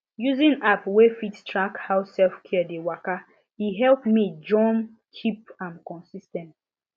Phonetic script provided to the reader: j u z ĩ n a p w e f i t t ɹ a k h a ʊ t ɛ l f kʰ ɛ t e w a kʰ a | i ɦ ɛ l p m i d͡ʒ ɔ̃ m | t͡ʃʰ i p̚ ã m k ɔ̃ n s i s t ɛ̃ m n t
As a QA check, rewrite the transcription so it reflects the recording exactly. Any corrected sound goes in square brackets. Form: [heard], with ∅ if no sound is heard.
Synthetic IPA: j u z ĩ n a p w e f i t t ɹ a k h a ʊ [s] ɛ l f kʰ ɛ [d] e w a [k] a | i ɦ ɛ l p m i d͡ʒ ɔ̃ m | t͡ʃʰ i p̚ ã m k ɔ̃ n s i s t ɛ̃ [∅] n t